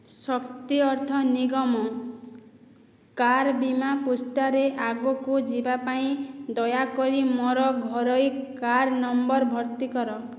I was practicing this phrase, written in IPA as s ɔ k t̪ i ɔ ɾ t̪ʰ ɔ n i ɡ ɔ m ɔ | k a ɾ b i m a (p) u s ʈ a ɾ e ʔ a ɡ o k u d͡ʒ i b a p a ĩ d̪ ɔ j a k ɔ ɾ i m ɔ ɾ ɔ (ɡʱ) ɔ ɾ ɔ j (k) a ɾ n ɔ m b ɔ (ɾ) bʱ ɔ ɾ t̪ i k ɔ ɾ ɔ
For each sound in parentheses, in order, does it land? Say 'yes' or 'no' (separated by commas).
yes, yes, yes, yes